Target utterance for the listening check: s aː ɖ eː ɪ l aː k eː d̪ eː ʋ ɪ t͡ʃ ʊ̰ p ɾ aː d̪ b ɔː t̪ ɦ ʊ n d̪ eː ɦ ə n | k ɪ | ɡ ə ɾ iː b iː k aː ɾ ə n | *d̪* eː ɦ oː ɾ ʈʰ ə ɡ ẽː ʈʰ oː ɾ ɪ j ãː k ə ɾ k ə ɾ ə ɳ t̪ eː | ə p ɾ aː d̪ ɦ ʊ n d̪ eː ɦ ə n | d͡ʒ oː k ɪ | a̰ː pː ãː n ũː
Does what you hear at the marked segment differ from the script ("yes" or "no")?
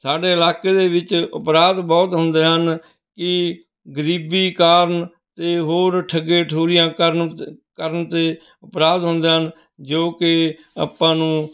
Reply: yes